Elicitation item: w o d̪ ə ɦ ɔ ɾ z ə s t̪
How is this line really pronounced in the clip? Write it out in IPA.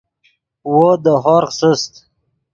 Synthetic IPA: w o d̪ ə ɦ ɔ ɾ s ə s t̪